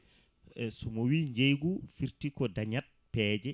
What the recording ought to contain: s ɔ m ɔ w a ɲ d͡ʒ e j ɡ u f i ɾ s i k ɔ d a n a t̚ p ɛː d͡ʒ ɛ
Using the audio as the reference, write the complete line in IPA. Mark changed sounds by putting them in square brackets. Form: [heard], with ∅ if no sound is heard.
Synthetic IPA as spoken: s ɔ m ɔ w [i] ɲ d͡ʒ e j ɡ u f i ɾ [t] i k ɔ d a [ɲ] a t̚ p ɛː d͡ʒ ɛ